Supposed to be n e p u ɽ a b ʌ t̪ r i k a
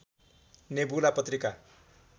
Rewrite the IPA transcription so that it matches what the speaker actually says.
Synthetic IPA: n e b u l a p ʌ t̪ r i k a